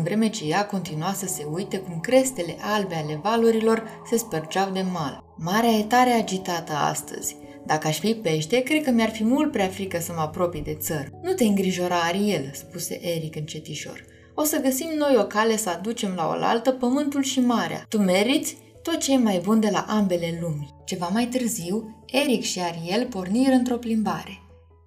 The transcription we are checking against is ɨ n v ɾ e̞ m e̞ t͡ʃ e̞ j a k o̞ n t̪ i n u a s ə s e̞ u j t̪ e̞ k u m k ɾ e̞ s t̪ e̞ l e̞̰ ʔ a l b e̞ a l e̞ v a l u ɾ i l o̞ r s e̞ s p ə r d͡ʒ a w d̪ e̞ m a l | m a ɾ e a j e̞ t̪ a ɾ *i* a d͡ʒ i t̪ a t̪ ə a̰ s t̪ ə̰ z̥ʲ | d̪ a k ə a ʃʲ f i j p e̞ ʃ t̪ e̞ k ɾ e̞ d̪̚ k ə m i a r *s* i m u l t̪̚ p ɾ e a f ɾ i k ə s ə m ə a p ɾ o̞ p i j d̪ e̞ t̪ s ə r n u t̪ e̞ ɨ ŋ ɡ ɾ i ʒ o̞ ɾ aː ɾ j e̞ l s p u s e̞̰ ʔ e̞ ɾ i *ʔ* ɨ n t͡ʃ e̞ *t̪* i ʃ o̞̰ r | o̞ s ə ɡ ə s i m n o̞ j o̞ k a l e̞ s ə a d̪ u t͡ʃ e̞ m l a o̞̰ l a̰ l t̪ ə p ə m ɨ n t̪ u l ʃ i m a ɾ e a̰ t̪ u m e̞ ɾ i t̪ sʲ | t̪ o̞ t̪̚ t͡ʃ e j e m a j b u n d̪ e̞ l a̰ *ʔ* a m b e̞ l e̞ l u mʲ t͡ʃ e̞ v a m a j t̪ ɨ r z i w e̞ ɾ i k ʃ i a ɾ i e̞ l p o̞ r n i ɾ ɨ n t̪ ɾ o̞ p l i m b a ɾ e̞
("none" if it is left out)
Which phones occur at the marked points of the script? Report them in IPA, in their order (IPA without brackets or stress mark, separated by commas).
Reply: e, f, k, t̪, ʔ